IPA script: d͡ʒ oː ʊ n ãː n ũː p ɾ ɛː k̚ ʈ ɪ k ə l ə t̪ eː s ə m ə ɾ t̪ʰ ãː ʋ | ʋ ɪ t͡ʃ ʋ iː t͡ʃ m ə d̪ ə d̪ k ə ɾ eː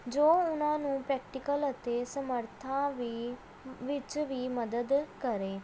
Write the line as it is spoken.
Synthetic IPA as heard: d͡ʒ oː ʊ n ãː n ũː p ɾ ɛː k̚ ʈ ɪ k ə l ə t̪ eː s ə m ə ɾ t̪ʰ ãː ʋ | ʋ ɪ t͡ʃ ʋ iː m ə d̪ ə d̪ k ə ɾ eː